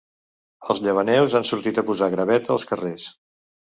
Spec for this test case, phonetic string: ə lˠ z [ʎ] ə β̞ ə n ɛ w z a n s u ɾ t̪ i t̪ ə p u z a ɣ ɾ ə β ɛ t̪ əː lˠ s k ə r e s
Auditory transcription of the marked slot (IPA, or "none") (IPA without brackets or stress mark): ʎ